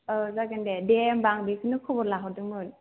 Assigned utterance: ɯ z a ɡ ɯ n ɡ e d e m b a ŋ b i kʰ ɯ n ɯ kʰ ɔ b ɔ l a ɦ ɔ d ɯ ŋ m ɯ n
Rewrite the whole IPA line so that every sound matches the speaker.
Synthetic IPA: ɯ z a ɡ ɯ n d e d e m b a ŋ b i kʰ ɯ n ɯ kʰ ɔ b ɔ l a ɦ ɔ d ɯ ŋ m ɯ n